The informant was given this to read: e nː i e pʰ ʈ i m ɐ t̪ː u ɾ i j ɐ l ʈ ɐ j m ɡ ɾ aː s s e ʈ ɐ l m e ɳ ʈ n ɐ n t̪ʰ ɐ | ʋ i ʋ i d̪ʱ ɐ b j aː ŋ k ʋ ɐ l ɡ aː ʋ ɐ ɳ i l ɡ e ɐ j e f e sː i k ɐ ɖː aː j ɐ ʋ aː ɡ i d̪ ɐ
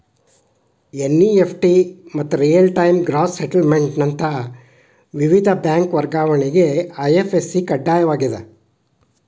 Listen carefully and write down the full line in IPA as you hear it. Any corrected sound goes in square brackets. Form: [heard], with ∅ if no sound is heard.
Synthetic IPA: e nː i e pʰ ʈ i m ɐ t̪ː u ɾ i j ɐ l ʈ ɐ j m ɡ ɾ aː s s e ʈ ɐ l m e ɳ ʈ n ɐ n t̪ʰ ɐ | ʋ i ʋ i d̪ʱ ɐ b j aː ŋ k ʋ ɐ [ɾ] ɡ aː ʋ ɐ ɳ i [∅] ɡ e ɐ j e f e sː i k ɐ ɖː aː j ɐ ʋ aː ɡ i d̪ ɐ